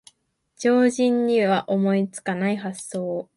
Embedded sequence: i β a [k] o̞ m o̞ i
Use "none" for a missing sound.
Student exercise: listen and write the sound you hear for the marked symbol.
ʔ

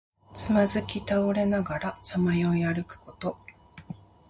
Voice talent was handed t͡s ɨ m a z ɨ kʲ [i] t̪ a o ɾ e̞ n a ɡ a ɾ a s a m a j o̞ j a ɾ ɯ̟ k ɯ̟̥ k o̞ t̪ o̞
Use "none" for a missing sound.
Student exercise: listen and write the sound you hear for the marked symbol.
i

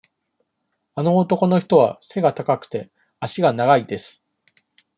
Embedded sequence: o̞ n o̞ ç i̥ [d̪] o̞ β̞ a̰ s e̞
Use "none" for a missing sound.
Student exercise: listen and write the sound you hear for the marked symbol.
t̪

